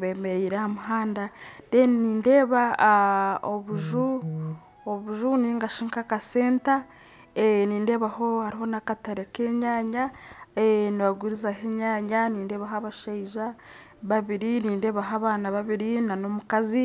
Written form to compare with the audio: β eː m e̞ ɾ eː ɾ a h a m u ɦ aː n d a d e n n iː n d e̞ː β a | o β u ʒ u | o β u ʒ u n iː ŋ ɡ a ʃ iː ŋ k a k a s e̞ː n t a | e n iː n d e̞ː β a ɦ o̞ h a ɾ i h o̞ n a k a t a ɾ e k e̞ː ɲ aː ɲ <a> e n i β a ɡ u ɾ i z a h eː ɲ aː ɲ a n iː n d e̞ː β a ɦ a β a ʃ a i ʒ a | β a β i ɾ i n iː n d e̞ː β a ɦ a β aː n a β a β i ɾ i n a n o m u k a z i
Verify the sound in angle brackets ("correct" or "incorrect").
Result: correct